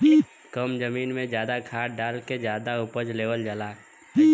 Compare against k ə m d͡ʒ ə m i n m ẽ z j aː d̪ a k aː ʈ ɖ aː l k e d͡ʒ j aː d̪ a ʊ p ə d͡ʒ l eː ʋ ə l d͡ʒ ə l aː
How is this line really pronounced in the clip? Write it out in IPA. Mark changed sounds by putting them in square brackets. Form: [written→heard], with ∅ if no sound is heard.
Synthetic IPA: k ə m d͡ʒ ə m [i→iː] n m ẽ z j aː d̪ a [k→kʰ] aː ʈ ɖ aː l k e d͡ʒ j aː d̪ a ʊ p ə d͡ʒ l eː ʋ ə l d͡ʒ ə l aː